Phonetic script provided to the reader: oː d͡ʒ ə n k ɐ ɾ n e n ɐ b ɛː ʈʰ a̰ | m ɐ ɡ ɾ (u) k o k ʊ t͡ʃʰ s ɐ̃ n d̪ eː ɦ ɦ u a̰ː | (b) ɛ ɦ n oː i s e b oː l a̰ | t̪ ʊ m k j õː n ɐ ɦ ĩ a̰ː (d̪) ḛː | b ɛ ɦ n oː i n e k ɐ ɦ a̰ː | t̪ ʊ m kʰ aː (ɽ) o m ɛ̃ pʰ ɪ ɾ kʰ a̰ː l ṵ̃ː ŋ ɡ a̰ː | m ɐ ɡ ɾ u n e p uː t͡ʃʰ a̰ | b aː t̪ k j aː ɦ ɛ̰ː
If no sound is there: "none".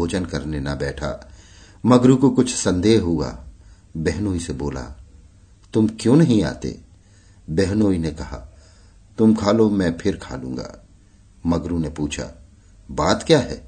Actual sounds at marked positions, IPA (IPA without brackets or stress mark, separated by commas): u, b, t̪, l